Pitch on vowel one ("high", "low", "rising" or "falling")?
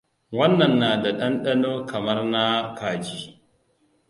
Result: high